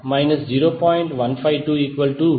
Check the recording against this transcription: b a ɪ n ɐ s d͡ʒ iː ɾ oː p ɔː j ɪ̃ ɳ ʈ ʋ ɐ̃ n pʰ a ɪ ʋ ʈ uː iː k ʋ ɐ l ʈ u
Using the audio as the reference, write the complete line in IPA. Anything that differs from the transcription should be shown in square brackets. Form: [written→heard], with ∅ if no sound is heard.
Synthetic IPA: [b→m] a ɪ n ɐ s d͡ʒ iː ɾ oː p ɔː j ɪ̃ ɳ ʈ ʋ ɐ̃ n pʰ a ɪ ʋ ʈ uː iː k ʋ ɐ l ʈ u